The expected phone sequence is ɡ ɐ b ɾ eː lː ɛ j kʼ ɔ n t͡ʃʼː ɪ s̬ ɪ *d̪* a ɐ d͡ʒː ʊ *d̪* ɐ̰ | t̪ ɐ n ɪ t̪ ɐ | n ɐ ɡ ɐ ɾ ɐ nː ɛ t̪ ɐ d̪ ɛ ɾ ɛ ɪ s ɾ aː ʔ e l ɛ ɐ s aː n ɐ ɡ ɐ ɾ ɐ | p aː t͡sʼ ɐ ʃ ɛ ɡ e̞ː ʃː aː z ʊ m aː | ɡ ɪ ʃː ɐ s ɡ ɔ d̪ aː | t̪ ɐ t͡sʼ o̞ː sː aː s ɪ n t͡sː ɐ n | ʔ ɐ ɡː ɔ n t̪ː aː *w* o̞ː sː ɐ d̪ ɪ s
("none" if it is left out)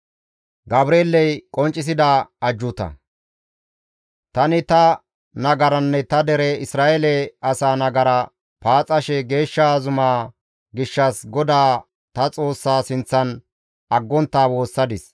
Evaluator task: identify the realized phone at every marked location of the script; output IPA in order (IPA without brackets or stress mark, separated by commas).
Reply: d̪, t̪, w